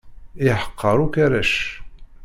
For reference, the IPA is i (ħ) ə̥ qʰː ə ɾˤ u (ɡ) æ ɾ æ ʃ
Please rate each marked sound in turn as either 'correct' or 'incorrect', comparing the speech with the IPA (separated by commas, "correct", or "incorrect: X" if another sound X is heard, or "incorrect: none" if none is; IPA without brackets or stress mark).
correct, incorrect: k